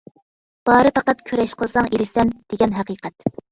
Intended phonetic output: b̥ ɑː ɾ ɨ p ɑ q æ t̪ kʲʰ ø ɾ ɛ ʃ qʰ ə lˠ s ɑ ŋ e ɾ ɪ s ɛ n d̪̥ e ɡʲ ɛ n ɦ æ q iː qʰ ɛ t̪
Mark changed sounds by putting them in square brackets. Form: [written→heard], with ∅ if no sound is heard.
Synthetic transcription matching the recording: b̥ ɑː ɾ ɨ p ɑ q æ t̪ kʲʰ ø ɾ ɛ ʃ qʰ ə lˠ s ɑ ŋ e ɾ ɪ s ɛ n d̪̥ e ɡʲ ɛ n ɦ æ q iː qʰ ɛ t̪